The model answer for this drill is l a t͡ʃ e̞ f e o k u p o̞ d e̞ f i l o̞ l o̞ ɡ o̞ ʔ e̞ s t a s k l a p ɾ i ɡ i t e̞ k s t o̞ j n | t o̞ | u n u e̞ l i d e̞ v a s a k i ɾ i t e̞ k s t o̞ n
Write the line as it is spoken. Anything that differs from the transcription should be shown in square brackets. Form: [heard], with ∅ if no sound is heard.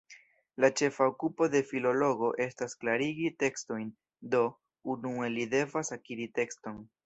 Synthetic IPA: l a t͡ʃ e̞ f [a] o k u p o̞ d e̞ f i l o̞ l o̞ ɡ o̞ ʔ e̞ s t a s k l a [∅] ɾ i ɡ i t e̞ k s t o̞ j n | [d] o̞ | u n u e̞ l i d e̞ v a s a k i ɾ i t e̞ k s t o̞ n